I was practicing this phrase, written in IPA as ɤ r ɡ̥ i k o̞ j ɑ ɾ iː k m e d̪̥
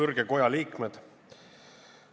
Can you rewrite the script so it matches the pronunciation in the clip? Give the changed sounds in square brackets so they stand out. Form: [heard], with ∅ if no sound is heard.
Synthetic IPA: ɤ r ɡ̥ [e] k o̞ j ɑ [l] iː k m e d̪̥